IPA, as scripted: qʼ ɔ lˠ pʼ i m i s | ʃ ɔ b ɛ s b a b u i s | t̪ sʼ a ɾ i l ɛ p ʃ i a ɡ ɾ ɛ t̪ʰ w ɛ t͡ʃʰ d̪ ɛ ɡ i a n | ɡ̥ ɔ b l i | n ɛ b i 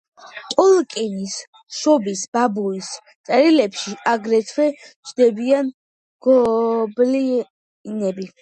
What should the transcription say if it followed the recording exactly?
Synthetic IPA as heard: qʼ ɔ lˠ kʼ i n i s | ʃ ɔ b i s b a b u i s | t̪ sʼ ɛ ɾ i l ɛ p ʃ i a ɡ ɾ ɛ t̪ʰ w ɛ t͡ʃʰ d̪ ɛ b i a n | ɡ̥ ɔ b l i | n ɛ b i